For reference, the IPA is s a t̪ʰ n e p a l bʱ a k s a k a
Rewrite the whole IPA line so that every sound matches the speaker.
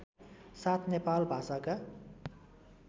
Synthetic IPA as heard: s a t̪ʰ n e p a l bʱ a s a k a